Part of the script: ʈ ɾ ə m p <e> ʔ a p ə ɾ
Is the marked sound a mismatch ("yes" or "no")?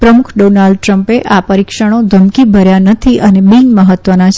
no